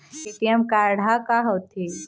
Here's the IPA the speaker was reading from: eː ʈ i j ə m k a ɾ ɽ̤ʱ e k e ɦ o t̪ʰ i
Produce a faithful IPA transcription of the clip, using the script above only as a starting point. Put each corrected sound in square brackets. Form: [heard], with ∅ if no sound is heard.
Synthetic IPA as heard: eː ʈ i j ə m k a ɾ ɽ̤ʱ [a] k [a] ɦ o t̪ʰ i